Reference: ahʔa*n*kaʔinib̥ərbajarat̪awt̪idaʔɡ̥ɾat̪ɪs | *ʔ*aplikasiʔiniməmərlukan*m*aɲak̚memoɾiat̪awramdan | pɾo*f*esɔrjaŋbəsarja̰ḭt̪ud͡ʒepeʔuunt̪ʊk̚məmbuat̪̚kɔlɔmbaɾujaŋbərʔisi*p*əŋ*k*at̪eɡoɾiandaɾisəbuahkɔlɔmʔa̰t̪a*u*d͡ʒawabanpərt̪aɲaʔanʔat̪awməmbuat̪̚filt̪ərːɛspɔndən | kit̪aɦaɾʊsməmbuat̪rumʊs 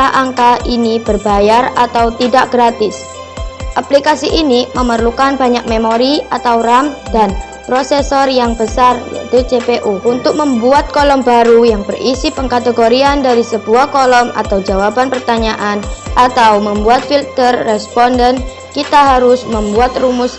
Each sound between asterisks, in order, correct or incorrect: incorrect: ŋ, correct, incorrect: b, incorrect: s, correct, correct, incorrect: w

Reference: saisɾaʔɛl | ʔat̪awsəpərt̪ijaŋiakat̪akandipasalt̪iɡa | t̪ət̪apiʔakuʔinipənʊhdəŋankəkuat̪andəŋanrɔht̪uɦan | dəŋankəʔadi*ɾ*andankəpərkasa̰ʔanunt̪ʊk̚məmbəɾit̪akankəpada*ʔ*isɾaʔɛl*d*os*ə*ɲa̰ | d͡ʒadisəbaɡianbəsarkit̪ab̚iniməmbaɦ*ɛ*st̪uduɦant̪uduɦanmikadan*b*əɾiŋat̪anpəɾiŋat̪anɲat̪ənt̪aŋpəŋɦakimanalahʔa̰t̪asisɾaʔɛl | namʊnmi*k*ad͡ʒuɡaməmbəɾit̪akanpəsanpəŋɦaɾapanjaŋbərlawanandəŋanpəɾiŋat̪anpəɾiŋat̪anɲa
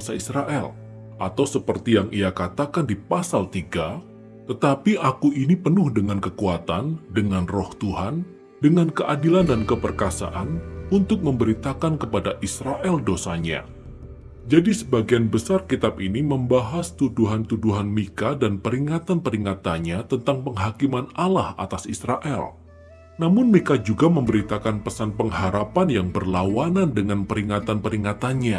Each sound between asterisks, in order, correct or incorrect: incorrect: l, correct, correct, incorrect: a, incorrect: a, incorrect: p, correct

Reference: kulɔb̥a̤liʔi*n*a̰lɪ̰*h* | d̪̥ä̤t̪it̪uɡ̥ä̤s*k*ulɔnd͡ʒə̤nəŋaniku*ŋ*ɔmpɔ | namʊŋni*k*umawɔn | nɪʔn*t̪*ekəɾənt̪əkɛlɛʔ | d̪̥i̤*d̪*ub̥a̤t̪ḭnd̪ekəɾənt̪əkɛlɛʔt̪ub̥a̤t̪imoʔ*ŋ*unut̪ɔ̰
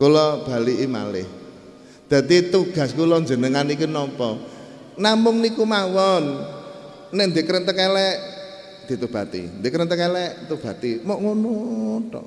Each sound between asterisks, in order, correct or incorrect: incorrect: m, correct, correct, incorrect: n, correct, incorrect: d̪, incorrect: t̪, correct

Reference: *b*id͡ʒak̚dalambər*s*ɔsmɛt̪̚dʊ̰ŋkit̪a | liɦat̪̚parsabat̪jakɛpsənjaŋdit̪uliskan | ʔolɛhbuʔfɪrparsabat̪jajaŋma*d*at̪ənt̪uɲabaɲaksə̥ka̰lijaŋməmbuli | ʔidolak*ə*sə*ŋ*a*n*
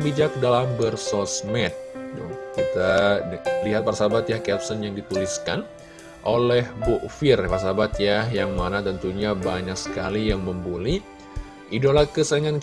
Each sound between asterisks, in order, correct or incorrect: correct, correct, incorrect: n, correct, correct, correct

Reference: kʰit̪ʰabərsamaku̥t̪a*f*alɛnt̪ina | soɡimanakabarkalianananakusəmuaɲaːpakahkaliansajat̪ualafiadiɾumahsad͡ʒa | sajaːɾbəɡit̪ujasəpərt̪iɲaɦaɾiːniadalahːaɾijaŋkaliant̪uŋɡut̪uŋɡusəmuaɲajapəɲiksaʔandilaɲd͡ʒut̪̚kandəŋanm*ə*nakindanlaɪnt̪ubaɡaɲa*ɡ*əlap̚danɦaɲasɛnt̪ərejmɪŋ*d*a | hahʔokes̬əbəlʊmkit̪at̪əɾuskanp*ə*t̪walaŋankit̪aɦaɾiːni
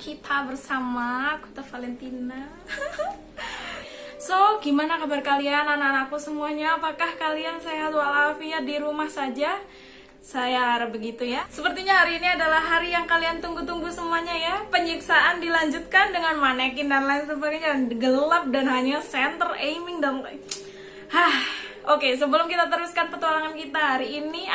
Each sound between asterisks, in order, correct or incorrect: correct, incorrect: a, correct, correct, correct

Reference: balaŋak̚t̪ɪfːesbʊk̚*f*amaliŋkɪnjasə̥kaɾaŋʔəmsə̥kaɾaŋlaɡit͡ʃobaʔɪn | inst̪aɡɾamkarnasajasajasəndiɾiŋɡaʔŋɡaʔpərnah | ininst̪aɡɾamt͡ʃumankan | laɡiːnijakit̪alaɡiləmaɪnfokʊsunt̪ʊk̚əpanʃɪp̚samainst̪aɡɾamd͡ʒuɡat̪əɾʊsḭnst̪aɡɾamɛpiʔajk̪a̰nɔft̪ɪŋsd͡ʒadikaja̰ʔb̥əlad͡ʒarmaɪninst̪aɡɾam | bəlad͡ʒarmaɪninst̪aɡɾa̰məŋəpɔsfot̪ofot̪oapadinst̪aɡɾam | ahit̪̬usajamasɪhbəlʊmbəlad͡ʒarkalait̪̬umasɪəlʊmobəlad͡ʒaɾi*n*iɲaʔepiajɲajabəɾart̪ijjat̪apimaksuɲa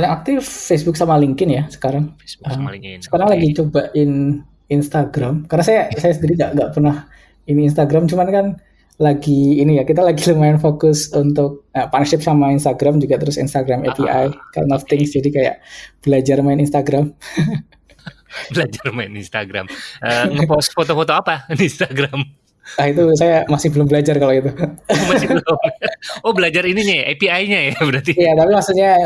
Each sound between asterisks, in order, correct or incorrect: incorrect: s, correct

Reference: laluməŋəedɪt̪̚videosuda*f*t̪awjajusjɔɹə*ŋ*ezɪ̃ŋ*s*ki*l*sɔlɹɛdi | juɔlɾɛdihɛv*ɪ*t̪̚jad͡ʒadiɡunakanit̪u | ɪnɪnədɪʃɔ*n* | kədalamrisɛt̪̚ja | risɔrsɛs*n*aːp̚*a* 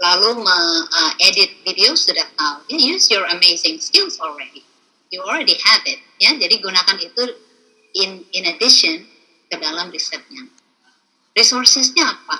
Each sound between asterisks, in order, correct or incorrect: incorrect: h, incorrect: m, correct, correct, correct, correct, incorrect: ɲ, correct

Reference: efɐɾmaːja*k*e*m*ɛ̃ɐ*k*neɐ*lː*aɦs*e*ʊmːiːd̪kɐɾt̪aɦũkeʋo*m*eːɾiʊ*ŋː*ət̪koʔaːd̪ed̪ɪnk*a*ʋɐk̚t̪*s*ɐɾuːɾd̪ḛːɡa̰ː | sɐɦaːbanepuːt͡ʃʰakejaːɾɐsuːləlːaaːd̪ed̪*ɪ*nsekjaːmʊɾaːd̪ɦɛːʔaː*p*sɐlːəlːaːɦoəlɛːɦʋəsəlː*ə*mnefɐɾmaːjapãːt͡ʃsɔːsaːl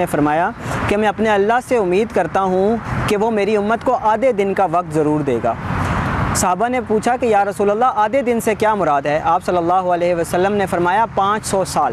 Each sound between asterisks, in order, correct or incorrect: correct, correct, incorrect: p, correct, correct, correct, incorrect: mː, correct, incorrect: z, correct, correct, correct

